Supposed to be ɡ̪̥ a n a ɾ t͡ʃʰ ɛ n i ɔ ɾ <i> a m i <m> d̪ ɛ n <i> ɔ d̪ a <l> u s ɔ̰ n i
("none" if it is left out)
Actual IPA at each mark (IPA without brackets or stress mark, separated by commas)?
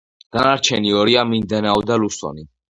i, n, a, l